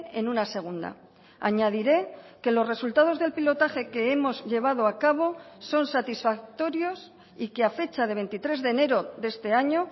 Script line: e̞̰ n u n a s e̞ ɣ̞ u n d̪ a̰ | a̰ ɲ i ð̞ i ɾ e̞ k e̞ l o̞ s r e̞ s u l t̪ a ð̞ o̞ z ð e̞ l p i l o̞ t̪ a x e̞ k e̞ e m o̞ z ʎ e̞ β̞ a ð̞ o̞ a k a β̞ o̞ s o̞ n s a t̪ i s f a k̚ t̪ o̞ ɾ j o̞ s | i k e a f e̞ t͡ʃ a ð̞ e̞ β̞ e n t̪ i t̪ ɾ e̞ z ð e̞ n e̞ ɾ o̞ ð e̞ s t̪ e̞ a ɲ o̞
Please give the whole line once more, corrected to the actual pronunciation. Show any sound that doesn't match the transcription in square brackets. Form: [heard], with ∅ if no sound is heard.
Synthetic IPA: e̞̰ n u n a s e̞ ɣ̞ u n d̪ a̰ | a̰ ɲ [a] ð̞ i ɾ e̞ k e̞ l o̞ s r e̞ s u l t̪ a ð̞ o̞ z ð e̞ l p i l o̞ t̪ a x e̞ k e̞ e m o̞ z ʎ e̞ β̞ a ð̞ o̞ a k a β̞ o̞ s o̞ n s a t̪ i s f a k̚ t̪ o̞ ɾ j o̞ s | i k e a f e̞ t͡ʃ a ð̞ e̞ β̞ e n t̪ i t̪ ɾ e̞ z ð e̞ n e̞ ɾ o̞ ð e̞ s t̪ e̞ a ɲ o̞